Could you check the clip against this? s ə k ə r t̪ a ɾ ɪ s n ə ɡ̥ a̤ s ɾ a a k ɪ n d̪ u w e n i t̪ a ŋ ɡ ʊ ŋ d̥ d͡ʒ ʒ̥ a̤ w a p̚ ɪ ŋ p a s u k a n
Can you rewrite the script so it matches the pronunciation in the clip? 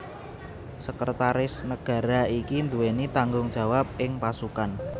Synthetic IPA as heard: s ə k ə r t̪ a ɾ ɪ s n ə ɡ̥ a̤ ɾ a i k i n d̪ u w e n i t̪ a ŋ ɡ ʊ ŋ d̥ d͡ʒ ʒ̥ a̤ w a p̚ ɪ ŋ p a s u k a n